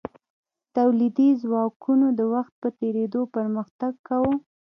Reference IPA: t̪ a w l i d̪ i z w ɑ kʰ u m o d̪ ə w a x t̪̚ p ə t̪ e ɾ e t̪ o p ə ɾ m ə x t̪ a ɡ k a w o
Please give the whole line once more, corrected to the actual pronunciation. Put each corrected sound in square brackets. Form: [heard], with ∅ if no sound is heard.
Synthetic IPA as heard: t̪ a w l i d̪ i z w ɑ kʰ u [n] o d̪ ə w a x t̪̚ p ə t̪ e ɾ e [d̪] o p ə ɾ m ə x t̪ a ɡ k a w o